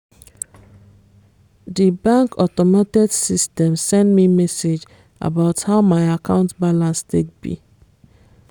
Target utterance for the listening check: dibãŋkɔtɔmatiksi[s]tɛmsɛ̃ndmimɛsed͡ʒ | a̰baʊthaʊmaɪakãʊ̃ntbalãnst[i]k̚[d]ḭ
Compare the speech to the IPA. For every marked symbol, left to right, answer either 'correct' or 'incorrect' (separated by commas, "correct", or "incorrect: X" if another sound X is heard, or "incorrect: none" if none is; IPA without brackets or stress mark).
correct, incorrect: e, incorrect: b